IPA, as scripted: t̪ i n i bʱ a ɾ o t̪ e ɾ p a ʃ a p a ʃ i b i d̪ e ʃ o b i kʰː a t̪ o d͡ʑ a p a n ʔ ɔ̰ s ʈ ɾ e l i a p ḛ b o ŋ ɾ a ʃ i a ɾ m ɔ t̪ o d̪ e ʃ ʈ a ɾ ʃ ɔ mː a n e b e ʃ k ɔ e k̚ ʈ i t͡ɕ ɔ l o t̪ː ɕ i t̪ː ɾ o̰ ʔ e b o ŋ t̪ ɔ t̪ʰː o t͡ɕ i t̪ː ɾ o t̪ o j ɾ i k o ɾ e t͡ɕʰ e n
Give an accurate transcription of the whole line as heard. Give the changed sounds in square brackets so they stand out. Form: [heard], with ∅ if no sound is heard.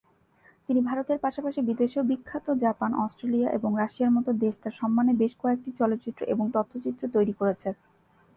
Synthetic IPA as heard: t̪ i n i bʱ a ɾ o t̪ e ɾ p a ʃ a p a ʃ i b i d̪ e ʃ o b i kʰː a t̪ o d͡ʑ a p a n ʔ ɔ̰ s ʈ ɾ e l i a [ʔ] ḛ b o ŋ ɾ a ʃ i a ɾ m ɔ t̪ o d̪ e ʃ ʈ a ɾ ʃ ɔ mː a n e b e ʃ k ɔ e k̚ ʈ i t͡ɕ ɔ l o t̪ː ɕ i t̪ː ɾ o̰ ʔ e b o ŋ t̪ ɔ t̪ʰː o t͡ɕ i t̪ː ɾ o t̪ o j ɾ i k o ɾ e t͡ɕʰ e n